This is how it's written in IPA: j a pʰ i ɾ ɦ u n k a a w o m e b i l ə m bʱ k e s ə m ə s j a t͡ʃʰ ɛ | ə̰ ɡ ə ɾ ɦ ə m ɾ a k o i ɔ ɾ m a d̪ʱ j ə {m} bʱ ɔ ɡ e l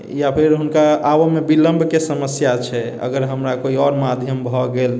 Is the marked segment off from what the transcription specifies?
no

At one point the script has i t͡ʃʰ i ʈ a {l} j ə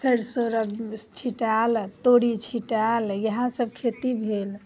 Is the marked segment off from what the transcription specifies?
no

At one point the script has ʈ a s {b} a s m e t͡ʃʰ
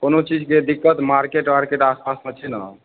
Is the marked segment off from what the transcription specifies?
yes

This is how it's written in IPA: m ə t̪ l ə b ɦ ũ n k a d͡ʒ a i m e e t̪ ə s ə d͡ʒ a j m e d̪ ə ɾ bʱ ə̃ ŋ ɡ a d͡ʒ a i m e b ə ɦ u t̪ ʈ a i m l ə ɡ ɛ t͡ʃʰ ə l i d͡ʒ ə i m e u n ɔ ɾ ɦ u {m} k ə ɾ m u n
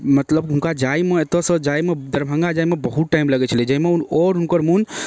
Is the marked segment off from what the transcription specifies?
yes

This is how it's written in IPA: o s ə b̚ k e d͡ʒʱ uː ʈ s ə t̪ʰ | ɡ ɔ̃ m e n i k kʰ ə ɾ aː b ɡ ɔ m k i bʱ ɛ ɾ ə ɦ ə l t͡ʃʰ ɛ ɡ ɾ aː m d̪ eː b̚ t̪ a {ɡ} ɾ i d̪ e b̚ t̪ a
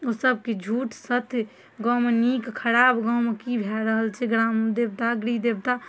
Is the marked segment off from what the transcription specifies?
no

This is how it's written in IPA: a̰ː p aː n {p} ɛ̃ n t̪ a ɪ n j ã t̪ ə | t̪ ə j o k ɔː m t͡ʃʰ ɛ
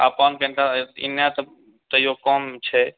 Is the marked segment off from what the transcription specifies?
yes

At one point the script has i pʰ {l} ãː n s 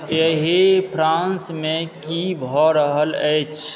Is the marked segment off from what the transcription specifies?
yes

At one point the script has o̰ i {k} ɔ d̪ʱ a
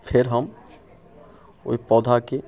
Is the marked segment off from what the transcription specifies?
yes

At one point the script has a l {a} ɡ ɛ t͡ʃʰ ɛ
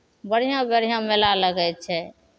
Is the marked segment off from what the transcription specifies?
yes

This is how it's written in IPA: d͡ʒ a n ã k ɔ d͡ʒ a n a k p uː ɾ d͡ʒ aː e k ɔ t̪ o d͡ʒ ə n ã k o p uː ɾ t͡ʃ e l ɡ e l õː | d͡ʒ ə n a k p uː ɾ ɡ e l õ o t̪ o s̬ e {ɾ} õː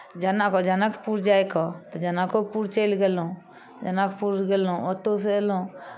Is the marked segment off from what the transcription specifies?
yes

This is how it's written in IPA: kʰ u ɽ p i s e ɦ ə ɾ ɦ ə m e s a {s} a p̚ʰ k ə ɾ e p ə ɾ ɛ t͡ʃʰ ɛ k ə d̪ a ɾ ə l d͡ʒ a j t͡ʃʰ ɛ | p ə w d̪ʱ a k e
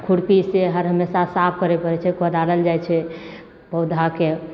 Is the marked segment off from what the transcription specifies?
no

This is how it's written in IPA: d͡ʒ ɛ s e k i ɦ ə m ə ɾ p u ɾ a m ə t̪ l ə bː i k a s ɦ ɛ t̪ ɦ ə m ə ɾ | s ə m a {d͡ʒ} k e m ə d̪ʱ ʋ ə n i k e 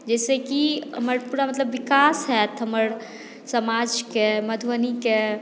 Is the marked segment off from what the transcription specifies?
no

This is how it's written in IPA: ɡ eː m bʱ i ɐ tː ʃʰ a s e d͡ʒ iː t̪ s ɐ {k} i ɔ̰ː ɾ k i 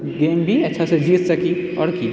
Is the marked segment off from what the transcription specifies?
no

